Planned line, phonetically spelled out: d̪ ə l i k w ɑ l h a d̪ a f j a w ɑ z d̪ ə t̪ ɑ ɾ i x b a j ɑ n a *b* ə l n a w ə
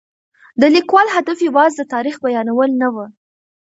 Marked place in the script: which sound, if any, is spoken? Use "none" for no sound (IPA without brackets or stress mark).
w